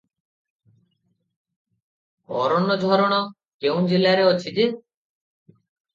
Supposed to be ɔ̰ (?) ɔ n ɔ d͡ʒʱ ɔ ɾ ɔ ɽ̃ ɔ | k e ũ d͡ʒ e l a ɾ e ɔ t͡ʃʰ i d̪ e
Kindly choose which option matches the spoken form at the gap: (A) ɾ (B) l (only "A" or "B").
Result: A